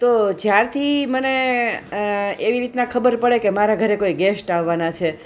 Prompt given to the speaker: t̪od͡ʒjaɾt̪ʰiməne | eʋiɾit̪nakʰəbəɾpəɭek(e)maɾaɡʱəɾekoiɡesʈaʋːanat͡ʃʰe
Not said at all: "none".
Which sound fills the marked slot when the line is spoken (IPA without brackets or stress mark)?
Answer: e